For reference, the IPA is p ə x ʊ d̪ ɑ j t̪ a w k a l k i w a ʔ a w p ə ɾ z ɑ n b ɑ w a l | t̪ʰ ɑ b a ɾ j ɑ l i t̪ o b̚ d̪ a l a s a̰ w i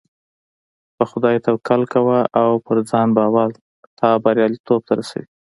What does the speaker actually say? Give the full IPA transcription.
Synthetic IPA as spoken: p ə x ʊ d̪ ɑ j t̪ a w k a l k a w a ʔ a w p ə ɾ d͡z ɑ n b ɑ w a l | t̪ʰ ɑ b a ɾ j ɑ l i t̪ o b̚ t̪ a ɾ a s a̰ w i